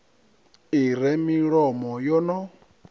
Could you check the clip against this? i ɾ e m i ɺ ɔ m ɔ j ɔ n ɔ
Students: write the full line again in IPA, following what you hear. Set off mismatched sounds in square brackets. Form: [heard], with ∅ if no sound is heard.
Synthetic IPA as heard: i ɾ [ɛ] m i ɺ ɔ m ɔ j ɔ n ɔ